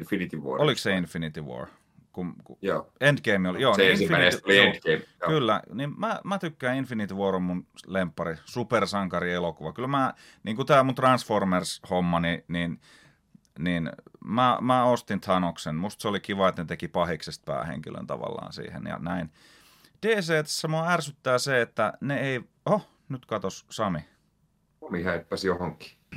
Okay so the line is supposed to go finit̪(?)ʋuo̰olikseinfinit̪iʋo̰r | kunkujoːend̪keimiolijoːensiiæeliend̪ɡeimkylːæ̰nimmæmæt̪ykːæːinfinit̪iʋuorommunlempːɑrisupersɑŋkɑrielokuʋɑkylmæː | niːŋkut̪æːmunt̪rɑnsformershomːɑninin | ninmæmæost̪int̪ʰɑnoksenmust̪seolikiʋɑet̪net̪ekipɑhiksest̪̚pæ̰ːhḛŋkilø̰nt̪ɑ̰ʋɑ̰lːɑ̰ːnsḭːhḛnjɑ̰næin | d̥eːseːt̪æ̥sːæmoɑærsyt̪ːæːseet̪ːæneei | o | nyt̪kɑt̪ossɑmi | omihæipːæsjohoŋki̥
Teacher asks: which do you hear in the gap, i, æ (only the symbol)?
i